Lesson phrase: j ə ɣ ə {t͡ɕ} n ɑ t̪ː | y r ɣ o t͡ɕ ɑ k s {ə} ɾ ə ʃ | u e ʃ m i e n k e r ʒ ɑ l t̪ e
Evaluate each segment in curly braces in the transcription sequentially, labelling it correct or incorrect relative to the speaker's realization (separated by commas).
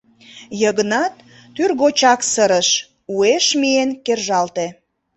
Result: incorrect, correct